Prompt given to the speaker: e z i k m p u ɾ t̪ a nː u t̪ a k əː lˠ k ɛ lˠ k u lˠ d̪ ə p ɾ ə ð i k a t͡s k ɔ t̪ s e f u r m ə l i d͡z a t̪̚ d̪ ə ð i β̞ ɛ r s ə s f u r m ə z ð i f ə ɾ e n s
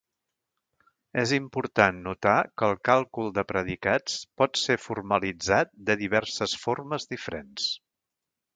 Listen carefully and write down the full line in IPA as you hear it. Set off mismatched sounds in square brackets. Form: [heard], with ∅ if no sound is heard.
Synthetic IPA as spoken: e z i [∅] m p u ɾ t̪ a nː u t̪ a k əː lˠ k [a] lˠ k u lˠ d̪ ə p ɾ ə ð i k a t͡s [p] ɔ t̪ s e f u r m ə l i d͡z a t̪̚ d̪ ə ð i β̞ ɛ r s ə s f [o] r m ə z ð i f ə ɾ e n s